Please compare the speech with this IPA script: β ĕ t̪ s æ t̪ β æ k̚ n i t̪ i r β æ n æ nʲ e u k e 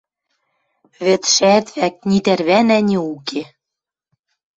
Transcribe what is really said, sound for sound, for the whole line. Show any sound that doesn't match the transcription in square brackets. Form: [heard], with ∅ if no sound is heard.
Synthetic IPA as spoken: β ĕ t̪ [ʃ] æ t̪ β æ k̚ n i t̪ [æ] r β æ n æ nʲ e u k e